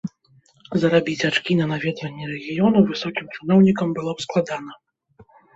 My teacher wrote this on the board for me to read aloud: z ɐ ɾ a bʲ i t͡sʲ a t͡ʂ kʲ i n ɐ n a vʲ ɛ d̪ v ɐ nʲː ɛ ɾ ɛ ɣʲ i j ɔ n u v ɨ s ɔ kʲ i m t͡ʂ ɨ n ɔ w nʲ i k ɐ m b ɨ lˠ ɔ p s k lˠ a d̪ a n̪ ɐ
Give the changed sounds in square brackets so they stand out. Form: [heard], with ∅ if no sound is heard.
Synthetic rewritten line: z ɐ ɾ a bʲ i t͡sʲ a t͡ʂ kʲ i n ɐ n a vʲ ɛ d̪ v ɐ nʲː ɛ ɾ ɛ ɣʲ i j ɔ n u v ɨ s ɔ kʲ i m t͡ʂ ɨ n ɔ w nʲ i k ɐ m b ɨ lˠ ɔ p s k lˠ a d̪ a n̪ ɐ